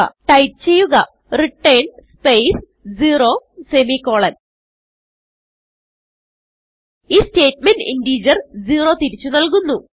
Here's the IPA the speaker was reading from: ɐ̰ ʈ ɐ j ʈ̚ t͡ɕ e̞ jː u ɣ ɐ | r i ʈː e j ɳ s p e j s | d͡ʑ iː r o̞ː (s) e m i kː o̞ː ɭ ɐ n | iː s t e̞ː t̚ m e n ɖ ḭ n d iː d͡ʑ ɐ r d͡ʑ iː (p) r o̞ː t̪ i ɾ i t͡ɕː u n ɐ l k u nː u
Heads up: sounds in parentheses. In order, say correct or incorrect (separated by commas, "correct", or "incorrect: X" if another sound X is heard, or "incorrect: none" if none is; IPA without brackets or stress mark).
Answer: correct, incorrect: none